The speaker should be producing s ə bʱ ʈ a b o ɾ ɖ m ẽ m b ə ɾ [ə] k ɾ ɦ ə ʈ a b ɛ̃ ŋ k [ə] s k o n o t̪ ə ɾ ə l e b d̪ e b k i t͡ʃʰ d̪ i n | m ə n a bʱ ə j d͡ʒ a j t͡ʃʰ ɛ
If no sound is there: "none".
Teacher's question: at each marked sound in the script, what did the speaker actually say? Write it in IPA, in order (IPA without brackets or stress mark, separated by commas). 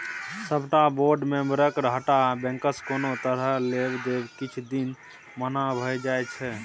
ə, ə